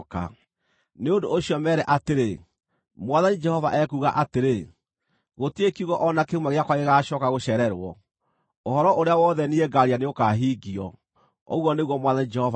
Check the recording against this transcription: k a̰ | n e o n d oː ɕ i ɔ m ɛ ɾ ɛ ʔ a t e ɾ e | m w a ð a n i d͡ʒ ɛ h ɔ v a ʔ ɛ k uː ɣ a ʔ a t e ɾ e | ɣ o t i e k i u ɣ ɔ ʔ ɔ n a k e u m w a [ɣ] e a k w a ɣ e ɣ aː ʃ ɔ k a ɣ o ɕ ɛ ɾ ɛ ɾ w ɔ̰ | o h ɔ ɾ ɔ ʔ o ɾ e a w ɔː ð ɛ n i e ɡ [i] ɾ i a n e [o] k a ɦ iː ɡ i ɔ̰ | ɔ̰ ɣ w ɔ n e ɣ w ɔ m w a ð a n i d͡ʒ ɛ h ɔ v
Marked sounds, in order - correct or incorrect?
correct, incorrect, correct

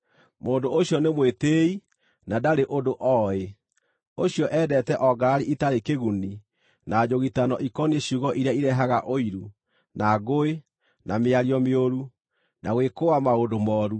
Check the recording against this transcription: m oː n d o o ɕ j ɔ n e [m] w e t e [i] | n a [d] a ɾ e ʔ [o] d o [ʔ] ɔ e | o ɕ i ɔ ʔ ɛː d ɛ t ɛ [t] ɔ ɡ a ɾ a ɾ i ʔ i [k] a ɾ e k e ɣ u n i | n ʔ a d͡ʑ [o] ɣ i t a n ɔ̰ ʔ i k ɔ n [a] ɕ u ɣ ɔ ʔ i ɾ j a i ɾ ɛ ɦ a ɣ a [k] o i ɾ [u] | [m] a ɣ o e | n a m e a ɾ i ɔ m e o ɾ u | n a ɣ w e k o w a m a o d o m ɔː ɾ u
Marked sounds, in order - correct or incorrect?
correct, correct, correct, correct, correct, incorrect, incorrect, correct, incorrect, incorrect, correct, incorrect

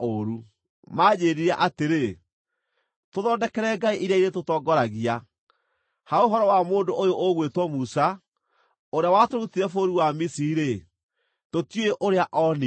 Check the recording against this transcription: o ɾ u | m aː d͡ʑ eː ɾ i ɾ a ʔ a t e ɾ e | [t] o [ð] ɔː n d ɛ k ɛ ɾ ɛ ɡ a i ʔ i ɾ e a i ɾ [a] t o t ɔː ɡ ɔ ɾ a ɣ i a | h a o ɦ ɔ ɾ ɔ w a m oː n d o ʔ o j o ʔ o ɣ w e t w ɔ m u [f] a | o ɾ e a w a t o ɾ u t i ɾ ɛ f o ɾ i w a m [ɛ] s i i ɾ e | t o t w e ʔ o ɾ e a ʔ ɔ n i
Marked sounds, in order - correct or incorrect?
correct, correct, incorrect, incorrect, incorrect

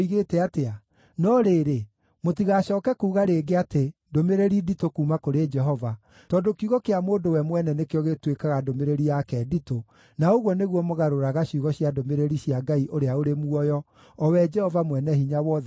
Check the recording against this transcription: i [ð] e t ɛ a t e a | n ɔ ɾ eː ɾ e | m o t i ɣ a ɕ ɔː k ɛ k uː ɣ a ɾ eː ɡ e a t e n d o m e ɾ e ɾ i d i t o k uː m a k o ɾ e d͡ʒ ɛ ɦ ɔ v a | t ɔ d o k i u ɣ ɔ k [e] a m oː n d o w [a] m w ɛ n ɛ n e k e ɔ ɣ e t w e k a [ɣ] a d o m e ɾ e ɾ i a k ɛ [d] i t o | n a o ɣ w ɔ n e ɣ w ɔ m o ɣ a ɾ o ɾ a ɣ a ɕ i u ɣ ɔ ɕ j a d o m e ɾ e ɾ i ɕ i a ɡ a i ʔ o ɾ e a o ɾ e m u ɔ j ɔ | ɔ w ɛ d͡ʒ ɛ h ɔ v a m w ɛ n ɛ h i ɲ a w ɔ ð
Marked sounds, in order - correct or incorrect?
incorrect, correct, incorrect, correct, correct

